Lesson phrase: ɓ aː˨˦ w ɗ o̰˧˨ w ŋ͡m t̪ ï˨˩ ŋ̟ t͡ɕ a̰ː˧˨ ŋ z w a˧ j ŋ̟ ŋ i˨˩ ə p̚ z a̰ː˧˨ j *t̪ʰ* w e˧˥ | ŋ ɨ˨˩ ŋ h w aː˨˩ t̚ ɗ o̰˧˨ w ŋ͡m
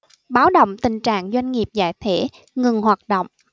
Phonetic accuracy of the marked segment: correct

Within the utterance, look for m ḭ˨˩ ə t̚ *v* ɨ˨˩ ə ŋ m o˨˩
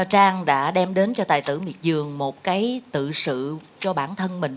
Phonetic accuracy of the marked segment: incorrect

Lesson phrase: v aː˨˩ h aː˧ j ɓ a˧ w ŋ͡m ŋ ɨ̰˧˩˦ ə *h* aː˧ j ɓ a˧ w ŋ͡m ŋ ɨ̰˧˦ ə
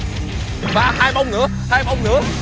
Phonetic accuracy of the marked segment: correct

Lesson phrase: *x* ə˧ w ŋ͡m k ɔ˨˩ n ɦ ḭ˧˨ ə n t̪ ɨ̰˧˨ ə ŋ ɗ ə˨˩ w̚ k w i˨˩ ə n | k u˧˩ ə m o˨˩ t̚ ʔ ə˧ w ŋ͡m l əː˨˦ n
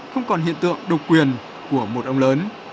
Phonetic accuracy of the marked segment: correct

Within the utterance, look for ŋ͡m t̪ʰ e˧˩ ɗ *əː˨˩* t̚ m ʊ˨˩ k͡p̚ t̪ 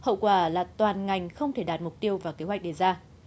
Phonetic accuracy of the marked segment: incorrect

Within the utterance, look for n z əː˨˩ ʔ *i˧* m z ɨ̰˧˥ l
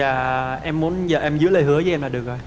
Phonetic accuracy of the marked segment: incorrect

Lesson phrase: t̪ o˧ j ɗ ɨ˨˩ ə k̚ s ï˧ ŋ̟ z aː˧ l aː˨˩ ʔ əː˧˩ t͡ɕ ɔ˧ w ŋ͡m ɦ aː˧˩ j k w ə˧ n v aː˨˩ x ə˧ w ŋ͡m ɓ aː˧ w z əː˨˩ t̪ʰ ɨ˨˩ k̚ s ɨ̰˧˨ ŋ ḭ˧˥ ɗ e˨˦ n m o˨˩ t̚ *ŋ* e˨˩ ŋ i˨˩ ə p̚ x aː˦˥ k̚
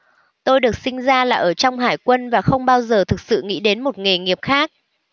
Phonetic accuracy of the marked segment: correct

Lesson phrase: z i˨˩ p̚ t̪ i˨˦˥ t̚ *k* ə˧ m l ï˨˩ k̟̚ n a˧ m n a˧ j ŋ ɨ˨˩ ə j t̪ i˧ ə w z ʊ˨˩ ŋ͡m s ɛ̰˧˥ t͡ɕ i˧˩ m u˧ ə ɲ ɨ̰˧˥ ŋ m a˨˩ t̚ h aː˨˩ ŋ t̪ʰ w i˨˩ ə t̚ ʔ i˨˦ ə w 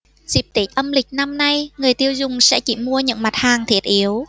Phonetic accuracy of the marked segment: incorrect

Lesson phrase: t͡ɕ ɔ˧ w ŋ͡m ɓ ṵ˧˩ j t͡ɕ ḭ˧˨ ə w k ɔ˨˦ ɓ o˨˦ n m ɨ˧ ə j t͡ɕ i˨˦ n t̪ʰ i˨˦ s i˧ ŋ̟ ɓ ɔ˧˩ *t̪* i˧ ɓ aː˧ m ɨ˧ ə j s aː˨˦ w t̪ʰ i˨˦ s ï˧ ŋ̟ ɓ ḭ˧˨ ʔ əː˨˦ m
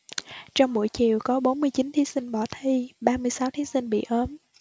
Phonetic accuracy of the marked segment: incorrect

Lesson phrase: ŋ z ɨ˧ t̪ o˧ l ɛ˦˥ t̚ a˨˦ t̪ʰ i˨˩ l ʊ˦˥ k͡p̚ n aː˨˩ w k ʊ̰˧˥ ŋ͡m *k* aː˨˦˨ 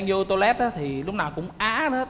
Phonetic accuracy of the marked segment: incorrect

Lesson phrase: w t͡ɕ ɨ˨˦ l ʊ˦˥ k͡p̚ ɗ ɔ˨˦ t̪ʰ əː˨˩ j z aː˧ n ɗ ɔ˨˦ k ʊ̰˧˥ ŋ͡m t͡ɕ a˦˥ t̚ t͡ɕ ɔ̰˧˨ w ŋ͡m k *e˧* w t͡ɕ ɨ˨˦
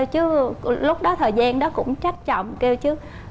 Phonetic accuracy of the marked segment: correct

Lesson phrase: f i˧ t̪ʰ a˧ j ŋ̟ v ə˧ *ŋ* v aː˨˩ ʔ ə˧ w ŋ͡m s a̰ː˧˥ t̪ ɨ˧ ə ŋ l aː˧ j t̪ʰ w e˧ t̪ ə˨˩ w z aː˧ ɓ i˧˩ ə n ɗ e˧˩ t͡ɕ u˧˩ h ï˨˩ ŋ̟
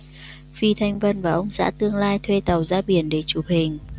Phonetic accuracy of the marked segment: incorrect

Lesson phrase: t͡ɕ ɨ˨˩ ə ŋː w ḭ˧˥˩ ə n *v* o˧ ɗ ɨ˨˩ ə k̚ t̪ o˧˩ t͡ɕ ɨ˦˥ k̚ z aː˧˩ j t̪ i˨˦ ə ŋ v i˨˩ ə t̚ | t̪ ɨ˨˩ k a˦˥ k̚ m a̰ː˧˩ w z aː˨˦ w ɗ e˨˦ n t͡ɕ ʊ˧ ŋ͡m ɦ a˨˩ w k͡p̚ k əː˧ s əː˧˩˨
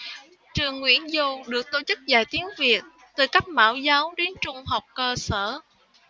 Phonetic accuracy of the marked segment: incorrect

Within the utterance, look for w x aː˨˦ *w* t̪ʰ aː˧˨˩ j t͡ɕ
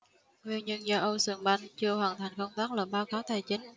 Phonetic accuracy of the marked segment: correct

